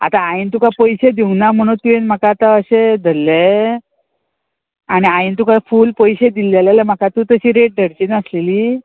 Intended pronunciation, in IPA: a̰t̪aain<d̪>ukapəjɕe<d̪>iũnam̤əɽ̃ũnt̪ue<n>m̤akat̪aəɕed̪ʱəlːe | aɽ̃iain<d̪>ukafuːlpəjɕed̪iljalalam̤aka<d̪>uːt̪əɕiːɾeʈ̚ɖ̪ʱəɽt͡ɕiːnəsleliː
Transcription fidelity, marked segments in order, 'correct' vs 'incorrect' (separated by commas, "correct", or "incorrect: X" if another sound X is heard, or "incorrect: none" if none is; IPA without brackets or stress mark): incorrect: t̪, correct, correct, incorrect: t̪, incorrect: t̪